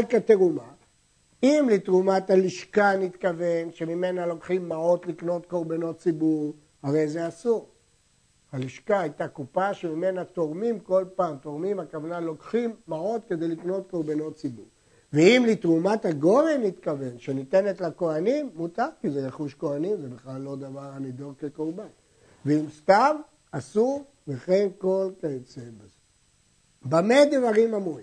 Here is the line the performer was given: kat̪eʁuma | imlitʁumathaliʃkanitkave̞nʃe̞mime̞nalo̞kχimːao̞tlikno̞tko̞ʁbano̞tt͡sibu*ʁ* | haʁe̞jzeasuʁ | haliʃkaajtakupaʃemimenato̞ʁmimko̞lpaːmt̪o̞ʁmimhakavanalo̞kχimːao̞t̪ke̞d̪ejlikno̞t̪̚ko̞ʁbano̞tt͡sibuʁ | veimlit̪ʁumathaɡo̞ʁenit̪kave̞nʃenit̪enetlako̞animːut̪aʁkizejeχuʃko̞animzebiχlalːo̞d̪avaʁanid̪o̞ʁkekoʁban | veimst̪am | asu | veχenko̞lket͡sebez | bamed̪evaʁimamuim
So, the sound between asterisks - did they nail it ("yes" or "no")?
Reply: yes